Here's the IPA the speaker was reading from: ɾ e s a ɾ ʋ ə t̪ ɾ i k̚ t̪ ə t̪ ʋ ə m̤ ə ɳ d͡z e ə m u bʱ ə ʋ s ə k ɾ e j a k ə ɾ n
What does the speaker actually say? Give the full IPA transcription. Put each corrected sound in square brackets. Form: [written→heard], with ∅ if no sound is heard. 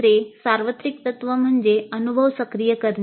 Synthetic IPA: ɾ e s a ɾ ʋ ə t̪ ɾ i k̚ t̪ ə t̪ ʋ ə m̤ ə ɳ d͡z e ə [m→n] u bʱ ə ʋ s ə k ɾ [e→i] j [a→ə] k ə ɾ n